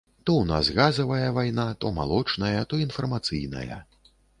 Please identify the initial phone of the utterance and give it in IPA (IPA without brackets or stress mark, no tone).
t̪